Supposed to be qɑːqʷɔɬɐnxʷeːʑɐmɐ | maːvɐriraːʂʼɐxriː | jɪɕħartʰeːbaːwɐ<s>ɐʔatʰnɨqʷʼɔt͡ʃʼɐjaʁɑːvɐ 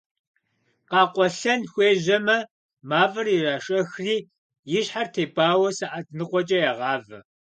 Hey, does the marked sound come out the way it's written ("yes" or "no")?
yes